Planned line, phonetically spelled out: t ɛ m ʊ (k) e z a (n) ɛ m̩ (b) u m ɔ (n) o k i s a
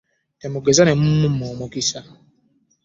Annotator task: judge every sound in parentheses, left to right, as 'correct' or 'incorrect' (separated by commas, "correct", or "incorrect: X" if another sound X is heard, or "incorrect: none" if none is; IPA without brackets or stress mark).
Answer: incorrect: ɡ, correct, incorrect: m, incorrect: m